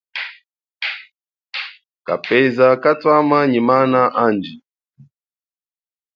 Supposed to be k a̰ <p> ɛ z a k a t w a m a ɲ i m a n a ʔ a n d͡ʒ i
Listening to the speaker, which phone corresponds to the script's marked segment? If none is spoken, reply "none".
p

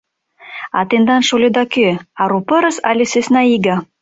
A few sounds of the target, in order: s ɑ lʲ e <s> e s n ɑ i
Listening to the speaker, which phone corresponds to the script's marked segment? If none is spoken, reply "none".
s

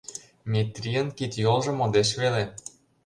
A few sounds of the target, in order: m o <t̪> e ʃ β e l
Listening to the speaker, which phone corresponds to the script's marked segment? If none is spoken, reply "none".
d̪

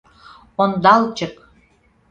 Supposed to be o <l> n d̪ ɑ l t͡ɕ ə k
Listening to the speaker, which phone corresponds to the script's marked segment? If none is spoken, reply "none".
none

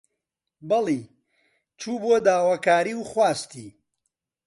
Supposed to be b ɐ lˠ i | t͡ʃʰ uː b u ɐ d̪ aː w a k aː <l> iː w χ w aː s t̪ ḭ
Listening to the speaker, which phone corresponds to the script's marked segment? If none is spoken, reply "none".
ɾ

